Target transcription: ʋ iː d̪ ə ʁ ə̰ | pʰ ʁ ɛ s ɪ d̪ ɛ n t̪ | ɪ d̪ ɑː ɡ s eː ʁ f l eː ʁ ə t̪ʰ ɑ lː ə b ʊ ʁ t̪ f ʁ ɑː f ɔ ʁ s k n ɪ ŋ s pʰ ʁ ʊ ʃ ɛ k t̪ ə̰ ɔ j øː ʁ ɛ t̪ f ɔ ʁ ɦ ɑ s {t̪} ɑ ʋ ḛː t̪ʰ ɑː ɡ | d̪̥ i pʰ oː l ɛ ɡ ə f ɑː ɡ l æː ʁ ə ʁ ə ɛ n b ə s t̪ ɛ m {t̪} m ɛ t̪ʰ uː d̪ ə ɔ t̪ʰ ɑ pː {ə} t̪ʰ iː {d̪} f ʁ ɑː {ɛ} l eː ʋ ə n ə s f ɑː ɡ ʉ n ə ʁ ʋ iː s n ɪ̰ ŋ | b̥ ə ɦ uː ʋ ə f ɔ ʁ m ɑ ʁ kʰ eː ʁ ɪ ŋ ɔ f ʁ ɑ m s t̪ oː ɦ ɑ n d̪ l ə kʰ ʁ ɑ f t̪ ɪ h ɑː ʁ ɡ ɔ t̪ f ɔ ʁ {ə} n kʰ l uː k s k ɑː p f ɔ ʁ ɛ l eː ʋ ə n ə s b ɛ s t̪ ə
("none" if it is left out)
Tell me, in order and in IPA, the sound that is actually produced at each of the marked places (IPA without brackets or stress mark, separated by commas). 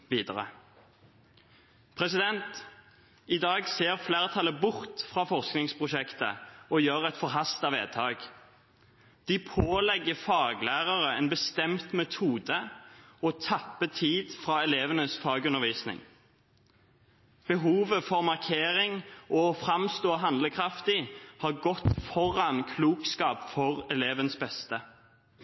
t̪, t̪, ə, d̪, ɛ, ɑ